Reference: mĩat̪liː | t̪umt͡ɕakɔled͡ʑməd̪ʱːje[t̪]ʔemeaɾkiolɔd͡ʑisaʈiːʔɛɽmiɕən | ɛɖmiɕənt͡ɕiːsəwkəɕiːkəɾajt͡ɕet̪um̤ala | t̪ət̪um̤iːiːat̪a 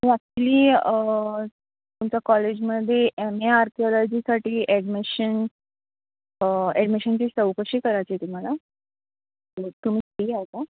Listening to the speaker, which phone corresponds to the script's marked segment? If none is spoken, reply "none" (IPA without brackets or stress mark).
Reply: none